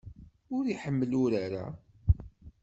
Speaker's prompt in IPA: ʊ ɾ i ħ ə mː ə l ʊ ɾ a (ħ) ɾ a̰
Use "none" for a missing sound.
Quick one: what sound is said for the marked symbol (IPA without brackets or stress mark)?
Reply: none